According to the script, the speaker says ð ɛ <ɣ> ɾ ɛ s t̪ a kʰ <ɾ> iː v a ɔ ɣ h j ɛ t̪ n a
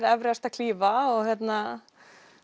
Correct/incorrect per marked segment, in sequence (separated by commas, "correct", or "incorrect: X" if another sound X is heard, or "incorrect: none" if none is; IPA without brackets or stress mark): incorrect: v, incorrect: l